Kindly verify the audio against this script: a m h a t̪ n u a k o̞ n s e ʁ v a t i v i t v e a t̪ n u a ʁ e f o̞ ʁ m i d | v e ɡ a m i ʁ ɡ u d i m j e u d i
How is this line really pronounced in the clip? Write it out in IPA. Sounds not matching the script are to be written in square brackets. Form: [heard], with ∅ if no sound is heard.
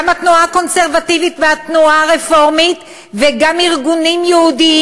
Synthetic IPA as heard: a m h a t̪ n u a k o̞ n s e ʁ v a t i v i t v e a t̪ n u a ʁ e f o̞ ʁ m i [t] | v e ɡ a m i ʁ ɡ u [n] i m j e u d i

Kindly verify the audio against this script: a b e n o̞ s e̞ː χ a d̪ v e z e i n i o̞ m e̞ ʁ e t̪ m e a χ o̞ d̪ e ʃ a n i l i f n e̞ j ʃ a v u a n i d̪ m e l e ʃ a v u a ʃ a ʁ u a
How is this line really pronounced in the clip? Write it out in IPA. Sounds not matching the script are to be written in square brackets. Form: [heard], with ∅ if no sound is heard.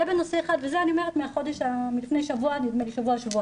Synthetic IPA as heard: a b e n o̞ s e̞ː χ a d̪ v e z e [a] n i o̞ m e̞ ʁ e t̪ m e a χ o̞ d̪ e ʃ a [m] i l i f n e̞ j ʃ a v u a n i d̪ m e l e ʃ a v u a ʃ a [v] u a

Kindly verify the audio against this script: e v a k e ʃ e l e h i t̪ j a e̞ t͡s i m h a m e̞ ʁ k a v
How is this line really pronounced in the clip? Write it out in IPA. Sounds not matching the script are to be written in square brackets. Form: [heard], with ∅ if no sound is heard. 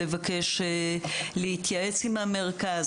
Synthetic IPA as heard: e v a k e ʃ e l e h i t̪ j a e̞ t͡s i m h a m e̞ ʁ k a [z]

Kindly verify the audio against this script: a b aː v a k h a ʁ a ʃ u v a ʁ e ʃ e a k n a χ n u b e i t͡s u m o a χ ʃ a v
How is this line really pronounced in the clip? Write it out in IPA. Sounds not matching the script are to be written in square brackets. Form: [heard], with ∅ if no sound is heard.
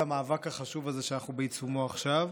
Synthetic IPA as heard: a [m] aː v a k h a [χ] a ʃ u v a [z] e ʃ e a [∅] n a χ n u b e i t͡s u m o a χ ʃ a v

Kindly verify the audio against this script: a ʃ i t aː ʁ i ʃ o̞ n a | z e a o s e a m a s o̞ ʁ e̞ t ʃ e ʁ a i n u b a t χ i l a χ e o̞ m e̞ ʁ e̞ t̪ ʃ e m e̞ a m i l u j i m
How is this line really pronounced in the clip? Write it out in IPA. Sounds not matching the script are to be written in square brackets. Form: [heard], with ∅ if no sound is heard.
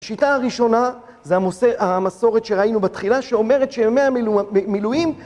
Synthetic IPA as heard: a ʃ i t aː ʁ i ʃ o̞ n a | z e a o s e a m a s o̞ ʁ e̞ t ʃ e ʁ a i n u b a t χ i l a [ʃ] e o̞ m e̞ ʁ e̞ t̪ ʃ e m e̞ a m i l u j i m

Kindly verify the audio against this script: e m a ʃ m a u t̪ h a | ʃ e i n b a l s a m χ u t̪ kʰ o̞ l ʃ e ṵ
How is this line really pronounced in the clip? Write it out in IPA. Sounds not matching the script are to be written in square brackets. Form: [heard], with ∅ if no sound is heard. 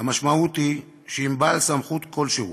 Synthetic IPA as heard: [a] m a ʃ m a u t̪ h [i] | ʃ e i [m] b a l s a m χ u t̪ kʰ o̞ l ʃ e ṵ

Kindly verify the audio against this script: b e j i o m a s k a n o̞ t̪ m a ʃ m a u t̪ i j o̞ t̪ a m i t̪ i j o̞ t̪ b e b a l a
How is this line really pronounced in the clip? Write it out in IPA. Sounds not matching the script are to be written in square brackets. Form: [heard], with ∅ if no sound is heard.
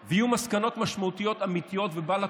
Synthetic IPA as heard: [v] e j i [u] m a s k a n o̞ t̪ m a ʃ m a u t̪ i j o̞ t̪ a m i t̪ i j o̞ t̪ [v] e b a l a

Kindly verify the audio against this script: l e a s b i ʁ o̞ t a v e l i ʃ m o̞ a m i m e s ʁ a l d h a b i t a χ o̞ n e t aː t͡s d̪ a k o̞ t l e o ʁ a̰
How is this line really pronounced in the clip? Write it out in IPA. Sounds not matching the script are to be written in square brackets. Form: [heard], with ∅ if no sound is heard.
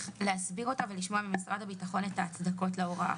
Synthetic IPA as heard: l e a s b i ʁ o̞ t a v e l i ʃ m o̞ a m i m [i] s ʁ a [∅] d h a b i t a χ o̞ n e t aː t͡s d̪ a k o̞ t l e o ʁ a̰

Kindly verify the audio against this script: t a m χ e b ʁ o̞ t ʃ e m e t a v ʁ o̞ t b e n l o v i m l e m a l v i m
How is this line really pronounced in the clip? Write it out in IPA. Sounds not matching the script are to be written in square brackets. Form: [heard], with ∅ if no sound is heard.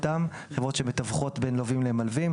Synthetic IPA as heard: t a m χ e [v] ʁ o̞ t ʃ e m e t a v [χ] o̞ t b e n l o v i m l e m a l v i m

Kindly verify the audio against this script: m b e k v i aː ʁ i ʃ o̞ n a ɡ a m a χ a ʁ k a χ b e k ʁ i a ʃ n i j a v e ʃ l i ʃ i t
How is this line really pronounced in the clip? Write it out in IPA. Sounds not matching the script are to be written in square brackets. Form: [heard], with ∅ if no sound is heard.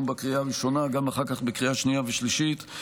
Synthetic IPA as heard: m b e k [ʁ] i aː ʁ i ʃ o̞ n a ɡ a m a χ a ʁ k a χ b e k ʁ i a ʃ n i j a v e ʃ l i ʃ i t

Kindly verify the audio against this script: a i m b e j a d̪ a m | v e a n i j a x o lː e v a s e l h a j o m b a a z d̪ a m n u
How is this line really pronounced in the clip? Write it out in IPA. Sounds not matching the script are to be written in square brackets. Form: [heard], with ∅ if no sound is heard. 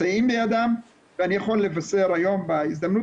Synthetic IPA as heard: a i m b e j a d̪ a m | v e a n i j a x o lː e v a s e [ɾ] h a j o m b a [i] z d̪ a m n u

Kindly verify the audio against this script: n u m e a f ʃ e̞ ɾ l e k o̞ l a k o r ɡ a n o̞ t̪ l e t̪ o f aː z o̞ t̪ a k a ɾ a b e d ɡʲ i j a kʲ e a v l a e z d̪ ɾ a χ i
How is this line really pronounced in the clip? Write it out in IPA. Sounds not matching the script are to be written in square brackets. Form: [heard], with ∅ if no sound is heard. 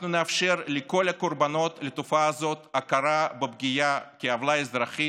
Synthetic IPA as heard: n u [n] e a f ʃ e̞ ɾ l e k o̞ l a k o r [b] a n o̞ t̪ l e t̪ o f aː z o̞ t̪ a k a ɾ a b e [b] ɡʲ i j a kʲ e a v l a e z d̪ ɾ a χ i

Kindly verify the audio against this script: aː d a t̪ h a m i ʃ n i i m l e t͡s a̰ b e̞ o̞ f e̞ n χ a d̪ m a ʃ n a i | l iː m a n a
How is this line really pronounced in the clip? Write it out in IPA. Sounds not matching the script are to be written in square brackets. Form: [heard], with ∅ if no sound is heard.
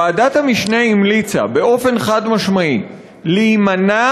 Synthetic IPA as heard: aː d a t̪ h a m i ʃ n [e] i m l [i] t͡s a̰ b e̞ o̞ f e̞ n χ a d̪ m a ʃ [m] a i | l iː m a n a

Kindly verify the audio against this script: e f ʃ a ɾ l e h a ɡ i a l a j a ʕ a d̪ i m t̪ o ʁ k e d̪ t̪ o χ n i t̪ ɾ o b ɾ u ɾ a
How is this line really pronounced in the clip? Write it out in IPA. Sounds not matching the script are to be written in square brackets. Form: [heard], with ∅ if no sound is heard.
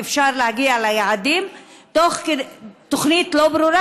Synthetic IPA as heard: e f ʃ a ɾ l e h a ɡ i a l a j a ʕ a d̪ i m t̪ o [χ] k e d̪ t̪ o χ n i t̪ [l] o b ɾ u ɾ a

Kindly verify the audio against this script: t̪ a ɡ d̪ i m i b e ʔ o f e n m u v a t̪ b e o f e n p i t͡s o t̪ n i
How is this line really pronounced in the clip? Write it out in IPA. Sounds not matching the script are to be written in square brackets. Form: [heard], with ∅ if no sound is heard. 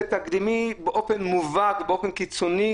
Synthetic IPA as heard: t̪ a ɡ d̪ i m i b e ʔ o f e n m u v a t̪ b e o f e n [k] i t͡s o [∅] n i

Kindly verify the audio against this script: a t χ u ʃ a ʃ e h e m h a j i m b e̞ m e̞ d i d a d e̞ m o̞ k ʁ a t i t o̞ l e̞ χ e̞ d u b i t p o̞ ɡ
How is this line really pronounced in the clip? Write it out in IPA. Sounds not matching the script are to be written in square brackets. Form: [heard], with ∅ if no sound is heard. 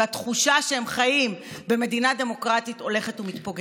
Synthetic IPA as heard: a t χ u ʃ a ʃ e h e m [χ] a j i m b e̞ m e̞ d i [n] a d e̞ m o̞ k ʁ a t i t o̞ l e̞ χ e̞ [t] u [m] i t p o̞ ɡ

